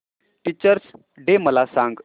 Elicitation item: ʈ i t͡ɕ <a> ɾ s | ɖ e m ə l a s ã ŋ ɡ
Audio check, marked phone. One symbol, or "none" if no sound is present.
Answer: ə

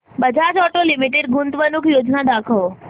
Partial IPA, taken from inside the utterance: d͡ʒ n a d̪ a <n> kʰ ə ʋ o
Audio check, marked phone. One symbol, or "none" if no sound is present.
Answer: none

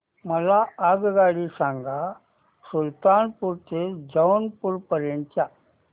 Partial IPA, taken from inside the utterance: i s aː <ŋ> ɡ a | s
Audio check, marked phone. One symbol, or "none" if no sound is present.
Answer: ŋ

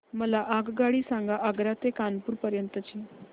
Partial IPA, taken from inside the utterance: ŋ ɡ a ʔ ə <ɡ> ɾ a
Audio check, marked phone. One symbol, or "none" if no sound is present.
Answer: ɡ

